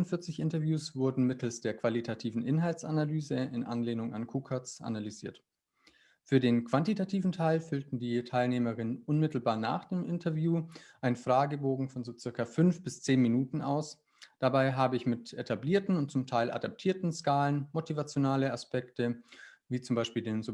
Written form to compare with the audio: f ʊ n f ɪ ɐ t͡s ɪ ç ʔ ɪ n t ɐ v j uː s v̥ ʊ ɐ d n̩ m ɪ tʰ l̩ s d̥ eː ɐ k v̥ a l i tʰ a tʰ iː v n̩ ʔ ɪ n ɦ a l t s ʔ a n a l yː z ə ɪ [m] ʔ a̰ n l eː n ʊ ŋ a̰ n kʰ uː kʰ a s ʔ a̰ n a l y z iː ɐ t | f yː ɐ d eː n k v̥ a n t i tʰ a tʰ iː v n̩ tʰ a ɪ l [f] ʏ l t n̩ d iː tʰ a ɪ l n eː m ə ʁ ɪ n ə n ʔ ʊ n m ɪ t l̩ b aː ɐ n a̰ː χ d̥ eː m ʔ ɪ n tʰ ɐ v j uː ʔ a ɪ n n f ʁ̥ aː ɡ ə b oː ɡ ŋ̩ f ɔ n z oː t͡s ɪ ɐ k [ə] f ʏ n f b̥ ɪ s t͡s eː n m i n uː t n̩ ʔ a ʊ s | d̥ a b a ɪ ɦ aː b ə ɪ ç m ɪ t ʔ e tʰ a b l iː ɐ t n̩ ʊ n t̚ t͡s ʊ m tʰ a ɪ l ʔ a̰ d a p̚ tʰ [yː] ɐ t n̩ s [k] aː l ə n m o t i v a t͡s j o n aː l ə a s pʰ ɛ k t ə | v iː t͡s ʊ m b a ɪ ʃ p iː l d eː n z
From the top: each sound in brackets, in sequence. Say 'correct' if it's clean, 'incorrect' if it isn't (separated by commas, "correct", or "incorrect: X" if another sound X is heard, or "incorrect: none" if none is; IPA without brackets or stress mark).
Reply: incorrect: n, correct, incorrect: ɐ, incorrect: iː, correct